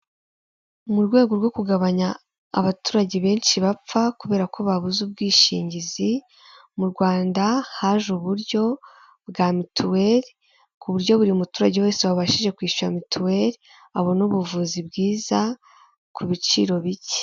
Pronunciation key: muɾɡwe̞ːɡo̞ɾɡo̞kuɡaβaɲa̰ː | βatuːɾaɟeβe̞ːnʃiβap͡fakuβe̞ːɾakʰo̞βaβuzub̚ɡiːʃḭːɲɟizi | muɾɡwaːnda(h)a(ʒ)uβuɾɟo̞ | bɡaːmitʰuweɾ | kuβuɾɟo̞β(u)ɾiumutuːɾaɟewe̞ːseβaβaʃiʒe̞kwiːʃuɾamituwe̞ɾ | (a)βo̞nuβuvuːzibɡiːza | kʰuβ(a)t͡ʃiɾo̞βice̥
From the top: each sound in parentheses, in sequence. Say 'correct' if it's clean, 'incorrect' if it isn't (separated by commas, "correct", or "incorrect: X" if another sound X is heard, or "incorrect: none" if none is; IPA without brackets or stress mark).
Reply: correct, correct, correct, correct, incorrect: i